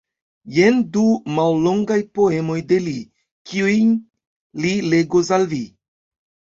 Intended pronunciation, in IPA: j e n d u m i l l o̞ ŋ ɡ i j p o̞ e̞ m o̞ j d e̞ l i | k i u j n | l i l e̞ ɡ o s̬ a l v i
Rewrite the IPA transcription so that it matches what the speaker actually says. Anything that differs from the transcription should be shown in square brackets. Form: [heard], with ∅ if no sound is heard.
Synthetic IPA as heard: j e n d u m [a] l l o̞ ŋ ɡ [a] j p o̞ e̞ m o̞ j d e̞ l i | k i u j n | l i l e̞ ɡ o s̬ a l v i